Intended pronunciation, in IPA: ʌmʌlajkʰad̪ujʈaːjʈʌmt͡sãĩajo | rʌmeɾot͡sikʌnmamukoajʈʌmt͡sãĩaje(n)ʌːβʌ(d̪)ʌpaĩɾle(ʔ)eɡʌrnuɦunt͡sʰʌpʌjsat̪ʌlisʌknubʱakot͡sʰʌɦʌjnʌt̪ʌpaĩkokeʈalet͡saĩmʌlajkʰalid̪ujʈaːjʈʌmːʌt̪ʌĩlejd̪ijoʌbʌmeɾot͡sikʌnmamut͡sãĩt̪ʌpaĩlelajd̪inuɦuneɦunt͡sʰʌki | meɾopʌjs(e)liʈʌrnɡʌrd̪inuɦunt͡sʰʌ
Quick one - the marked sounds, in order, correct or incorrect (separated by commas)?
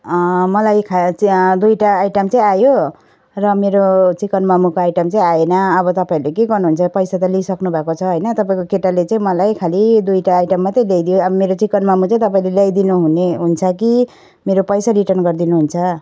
correct, incorrect, incorrect, incorrect